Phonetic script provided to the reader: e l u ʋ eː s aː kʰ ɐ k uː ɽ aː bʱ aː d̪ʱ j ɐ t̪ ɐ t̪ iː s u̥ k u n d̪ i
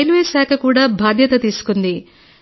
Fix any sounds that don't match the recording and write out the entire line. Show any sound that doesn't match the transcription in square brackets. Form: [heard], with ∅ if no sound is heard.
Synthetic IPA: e l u ʋ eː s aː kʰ ɐ k uː ɽ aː bʱ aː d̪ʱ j ɐ t̪ ɐ t̪ iː s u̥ k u n d̪ i